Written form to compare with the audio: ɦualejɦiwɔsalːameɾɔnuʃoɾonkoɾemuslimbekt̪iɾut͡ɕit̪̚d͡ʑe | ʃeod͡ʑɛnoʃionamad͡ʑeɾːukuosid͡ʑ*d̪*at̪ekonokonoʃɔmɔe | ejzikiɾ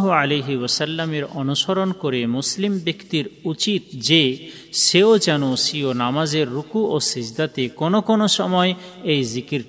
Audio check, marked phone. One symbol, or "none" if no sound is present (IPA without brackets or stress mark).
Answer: d̪